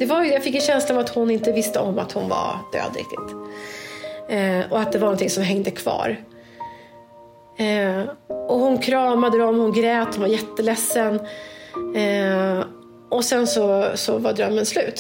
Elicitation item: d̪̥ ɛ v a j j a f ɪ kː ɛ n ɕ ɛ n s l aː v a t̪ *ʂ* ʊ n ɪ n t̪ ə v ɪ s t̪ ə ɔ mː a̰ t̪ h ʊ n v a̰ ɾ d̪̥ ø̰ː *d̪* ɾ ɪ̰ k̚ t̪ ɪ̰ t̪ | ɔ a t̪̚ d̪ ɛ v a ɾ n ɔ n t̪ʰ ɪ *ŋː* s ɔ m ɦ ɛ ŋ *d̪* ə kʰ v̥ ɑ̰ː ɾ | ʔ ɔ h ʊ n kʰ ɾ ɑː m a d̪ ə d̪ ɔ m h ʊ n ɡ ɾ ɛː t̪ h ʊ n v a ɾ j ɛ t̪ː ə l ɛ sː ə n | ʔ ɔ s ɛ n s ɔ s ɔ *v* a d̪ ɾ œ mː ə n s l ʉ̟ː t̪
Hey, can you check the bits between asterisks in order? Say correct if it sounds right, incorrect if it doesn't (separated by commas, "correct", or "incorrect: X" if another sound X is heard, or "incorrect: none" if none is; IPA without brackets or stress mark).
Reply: incorrect: h, correct, incorrect: ŋ, correct, correct